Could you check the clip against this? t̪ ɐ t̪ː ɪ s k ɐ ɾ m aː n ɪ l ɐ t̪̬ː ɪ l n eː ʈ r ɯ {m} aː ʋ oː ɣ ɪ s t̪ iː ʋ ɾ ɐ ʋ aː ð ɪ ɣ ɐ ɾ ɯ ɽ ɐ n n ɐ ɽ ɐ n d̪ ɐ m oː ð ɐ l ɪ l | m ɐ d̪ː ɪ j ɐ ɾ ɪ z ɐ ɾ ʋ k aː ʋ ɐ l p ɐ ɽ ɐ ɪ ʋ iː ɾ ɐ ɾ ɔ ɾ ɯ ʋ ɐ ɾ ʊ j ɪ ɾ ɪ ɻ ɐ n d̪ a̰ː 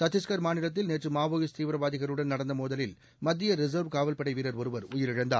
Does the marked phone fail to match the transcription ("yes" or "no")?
no